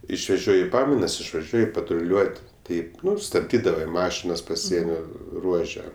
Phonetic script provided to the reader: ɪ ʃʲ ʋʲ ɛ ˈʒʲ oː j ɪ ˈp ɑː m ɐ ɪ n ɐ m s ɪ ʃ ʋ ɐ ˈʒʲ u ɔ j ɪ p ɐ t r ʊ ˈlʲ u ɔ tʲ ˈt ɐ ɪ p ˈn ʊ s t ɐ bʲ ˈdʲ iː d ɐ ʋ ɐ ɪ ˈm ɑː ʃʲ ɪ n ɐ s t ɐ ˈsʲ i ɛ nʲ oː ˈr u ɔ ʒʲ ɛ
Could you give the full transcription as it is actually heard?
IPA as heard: ɪ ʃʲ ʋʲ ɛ ˈʒʲ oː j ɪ ˈp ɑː m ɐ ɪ n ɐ s ɪ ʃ ʋ ɐ ˈʒʲ u ɔ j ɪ p ɐ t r ʊ ˈlʲ u ɔ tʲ ˈt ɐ ɪ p ˈn ʊ s t ɐ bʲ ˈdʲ iː d ɐ ʋ ɐ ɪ ˈm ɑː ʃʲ ɪ n ɐ s p ɐ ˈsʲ i ɛ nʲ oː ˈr u ɔ ʒʲ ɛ